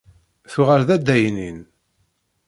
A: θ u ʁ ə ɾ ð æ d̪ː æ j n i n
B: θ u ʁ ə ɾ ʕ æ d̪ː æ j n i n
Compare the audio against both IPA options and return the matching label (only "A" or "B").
A